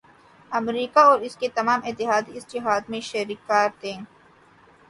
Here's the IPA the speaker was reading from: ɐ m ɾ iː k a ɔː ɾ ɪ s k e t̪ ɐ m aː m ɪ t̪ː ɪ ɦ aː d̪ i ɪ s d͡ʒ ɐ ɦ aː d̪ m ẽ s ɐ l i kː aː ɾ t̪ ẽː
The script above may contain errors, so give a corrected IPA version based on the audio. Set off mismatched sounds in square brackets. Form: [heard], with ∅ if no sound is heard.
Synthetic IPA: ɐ m ɾ iː k a ɔː ɾ ɪ s k e t̪ ɐ m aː m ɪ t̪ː ɪ ɦ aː d̪ i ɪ s d͡ʒ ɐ ɦ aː d̪ m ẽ [ʃ] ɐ [ɾ] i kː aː ɾ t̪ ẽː